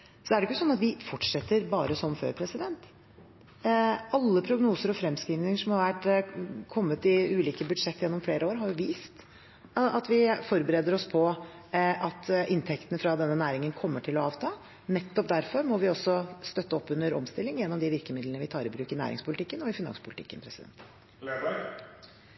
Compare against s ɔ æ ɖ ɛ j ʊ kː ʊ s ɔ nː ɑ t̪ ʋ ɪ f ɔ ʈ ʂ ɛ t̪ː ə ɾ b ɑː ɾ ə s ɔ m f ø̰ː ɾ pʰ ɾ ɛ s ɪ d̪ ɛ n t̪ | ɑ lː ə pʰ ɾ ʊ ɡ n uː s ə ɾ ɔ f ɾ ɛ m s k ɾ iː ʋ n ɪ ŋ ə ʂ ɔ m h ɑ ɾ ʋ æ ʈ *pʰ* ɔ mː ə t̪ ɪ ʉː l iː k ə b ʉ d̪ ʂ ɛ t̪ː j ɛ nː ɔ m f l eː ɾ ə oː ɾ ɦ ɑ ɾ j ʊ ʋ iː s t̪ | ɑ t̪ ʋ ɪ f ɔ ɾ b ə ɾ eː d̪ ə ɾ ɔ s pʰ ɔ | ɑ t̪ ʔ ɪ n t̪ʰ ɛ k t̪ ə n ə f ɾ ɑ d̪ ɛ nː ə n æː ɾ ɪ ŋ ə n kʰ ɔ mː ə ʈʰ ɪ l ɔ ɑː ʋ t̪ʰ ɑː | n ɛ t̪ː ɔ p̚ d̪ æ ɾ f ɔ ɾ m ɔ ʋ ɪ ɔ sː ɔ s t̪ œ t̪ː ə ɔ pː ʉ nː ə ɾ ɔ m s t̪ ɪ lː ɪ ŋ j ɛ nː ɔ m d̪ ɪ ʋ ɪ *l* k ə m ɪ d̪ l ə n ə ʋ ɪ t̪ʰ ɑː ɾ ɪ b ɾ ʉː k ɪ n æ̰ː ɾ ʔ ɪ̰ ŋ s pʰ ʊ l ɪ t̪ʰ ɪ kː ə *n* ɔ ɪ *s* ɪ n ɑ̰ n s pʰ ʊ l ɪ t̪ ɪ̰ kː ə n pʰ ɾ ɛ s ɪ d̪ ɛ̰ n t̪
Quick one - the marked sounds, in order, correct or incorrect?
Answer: incorrect, incorrect, correct, incorrect

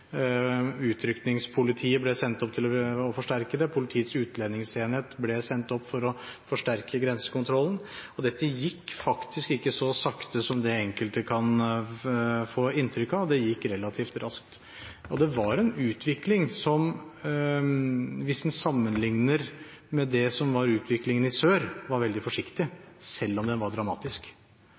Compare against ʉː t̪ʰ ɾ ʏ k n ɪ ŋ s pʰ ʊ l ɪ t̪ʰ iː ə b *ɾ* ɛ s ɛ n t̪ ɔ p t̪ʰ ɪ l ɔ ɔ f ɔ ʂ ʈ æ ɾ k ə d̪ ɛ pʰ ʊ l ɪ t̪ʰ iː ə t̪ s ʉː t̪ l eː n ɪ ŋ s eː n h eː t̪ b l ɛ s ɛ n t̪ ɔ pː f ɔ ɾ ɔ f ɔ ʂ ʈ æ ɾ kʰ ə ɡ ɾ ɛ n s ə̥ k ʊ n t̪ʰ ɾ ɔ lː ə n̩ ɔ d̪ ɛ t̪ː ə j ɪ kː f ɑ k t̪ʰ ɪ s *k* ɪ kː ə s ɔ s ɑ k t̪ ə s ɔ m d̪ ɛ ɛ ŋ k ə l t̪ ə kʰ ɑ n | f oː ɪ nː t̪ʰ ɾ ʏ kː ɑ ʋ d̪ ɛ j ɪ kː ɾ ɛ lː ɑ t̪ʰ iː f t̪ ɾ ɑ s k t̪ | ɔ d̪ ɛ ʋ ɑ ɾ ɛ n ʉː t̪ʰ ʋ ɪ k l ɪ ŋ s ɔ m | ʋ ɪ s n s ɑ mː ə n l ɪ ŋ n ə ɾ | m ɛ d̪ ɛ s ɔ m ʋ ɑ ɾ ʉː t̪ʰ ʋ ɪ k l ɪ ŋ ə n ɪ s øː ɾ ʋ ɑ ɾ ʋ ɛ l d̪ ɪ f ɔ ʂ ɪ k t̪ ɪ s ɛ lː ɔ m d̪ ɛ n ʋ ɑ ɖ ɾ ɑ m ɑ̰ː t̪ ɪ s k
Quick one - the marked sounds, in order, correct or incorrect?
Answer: incorrect, correct

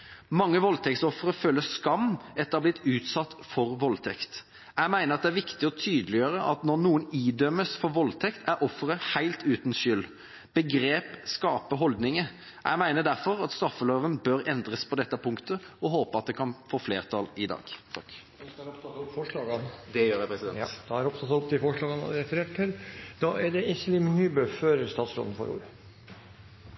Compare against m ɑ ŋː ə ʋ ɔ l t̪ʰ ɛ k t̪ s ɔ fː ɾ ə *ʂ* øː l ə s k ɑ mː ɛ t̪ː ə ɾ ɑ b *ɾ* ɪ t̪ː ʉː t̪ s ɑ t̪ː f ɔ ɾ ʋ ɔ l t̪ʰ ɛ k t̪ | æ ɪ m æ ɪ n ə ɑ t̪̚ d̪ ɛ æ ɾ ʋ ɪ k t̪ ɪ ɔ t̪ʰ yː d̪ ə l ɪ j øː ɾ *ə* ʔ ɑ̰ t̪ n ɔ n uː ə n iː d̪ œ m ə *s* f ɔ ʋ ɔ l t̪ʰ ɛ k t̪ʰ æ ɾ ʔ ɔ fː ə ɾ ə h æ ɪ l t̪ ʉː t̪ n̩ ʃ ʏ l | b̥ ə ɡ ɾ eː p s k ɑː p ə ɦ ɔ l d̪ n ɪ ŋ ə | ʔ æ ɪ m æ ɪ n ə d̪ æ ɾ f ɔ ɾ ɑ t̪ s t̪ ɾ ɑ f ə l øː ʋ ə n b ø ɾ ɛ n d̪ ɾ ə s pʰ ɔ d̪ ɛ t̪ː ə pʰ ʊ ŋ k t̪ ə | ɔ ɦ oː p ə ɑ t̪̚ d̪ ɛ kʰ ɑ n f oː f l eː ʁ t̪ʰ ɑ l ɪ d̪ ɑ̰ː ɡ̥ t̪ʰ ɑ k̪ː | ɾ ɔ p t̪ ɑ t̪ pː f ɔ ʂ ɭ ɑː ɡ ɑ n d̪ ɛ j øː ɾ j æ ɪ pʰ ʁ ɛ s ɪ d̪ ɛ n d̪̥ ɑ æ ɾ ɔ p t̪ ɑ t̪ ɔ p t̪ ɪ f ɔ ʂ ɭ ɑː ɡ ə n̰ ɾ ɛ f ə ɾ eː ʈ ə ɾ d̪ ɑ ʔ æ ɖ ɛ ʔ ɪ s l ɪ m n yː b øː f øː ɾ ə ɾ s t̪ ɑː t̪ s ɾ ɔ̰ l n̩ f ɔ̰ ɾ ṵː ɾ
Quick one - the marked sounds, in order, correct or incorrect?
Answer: incorrect, incorrect, correct, correct

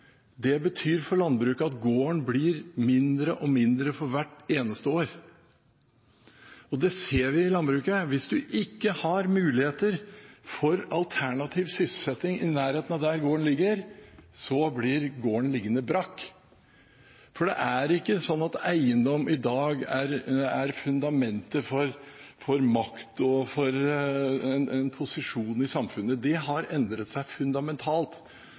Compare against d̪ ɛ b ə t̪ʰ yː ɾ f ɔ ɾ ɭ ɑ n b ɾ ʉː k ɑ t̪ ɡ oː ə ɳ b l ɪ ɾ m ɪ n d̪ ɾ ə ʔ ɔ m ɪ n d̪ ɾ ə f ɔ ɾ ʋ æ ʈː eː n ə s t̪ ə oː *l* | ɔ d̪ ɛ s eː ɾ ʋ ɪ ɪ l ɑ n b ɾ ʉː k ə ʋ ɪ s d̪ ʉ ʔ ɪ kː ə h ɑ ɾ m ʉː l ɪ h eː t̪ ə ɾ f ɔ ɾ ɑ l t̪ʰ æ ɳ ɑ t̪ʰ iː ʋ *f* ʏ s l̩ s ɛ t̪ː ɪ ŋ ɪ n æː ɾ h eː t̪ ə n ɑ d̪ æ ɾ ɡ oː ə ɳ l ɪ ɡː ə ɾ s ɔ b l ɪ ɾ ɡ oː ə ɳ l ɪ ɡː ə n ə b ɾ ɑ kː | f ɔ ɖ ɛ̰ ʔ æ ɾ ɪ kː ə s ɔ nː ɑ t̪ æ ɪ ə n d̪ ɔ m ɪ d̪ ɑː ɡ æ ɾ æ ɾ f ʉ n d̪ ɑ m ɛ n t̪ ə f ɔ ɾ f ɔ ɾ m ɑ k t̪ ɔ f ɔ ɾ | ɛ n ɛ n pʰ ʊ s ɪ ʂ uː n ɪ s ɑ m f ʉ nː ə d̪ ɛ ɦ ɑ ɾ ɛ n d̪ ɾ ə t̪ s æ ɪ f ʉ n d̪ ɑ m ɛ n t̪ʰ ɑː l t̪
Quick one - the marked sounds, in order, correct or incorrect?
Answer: incorrect, incorrect

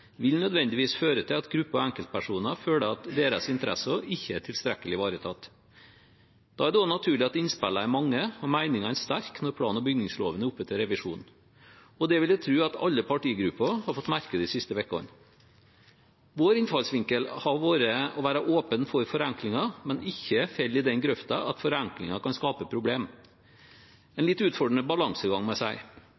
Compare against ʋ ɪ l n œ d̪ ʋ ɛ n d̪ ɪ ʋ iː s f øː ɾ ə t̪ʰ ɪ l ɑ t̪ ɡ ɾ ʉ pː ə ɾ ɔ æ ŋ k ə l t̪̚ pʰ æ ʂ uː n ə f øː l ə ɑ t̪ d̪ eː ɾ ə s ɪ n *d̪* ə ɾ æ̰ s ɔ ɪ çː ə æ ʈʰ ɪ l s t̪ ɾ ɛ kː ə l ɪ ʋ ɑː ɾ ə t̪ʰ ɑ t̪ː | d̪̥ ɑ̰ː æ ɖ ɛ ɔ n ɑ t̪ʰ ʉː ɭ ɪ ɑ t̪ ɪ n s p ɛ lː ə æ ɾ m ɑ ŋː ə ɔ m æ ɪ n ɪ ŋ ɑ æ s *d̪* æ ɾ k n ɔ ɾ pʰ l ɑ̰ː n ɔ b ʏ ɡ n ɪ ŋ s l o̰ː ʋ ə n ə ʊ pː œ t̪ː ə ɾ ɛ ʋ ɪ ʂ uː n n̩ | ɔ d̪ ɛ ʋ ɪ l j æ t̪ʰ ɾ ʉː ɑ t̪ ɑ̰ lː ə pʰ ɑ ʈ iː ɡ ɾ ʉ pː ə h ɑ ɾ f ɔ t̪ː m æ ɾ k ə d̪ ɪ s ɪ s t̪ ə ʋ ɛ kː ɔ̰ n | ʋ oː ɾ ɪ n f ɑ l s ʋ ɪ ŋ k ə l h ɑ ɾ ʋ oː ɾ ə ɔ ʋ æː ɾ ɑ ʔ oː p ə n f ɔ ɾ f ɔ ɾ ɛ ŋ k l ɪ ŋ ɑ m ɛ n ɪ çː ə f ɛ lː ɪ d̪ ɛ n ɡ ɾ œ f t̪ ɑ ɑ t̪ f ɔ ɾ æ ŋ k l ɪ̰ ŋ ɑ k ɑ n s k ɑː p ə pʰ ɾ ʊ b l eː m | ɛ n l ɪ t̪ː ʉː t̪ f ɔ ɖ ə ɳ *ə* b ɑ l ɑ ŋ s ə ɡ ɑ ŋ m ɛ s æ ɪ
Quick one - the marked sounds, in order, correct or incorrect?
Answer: incorrect, incorrect, correct

